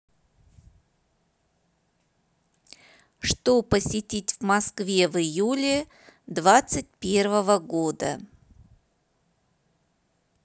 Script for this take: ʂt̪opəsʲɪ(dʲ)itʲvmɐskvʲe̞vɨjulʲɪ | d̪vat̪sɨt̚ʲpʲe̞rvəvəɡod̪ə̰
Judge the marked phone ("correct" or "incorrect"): incorrect